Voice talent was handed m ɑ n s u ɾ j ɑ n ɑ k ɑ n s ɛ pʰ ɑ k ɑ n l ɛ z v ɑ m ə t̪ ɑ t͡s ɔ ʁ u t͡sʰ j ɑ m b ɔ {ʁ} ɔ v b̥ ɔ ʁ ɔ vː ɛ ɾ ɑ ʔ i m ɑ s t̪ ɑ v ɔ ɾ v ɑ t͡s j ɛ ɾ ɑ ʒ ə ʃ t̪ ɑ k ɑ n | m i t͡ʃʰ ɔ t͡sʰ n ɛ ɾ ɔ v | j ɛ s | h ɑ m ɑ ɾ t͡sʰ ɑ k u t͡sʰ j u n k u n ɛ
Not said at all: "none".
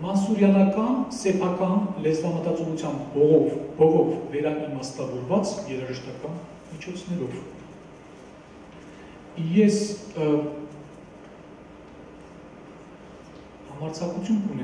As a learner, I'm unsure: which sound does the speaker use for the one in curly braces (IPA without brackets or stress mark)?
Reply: ʁ